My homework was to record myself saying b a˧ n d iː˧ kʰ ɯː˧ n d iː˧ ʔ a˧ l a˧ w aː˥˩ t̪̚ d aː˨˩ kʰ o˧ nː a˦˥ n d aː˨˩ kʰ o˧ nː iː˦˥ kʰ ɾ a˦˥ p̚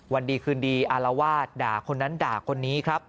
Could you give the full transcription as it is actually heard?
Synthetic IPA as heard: w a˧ n d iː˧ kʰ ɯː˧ n d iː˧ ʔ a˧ l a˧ w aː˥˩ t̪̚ d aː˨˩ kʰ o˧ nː a˦˥ n d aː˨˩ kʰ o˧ nː iː˦˥ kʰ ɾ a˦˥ p̚